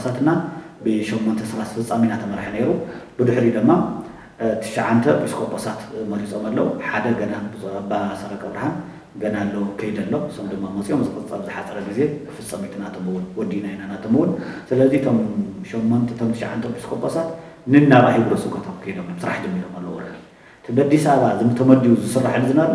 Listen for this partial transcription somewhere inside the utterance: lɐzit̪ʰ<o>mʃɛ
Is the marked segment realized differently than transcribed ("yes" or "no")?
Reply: no